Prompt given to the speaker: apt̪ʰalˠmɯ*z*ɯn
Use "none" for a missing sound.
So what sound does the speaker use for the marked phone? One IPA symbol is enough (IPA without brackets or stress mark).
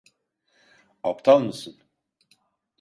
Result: s